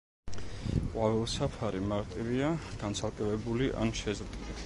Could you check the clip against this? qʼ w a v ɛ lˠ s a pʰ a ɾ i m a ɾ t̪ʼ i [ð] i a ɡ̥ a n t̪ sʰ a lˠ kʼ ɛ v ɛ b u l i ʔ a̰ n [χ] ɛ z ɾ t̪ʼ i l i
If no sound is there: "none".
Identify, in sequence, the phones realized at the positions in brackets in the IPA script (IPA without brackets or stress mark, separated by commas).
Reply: v, ʃ